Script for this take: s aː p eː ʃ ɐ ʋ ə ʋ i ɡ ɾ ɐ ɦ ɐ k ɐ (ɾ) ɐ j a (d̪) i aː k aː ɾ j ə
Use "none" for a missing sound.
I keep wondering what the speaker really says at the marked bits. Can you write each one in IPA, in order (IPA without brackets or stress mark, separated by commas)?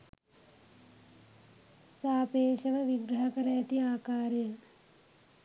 ɾ, t̪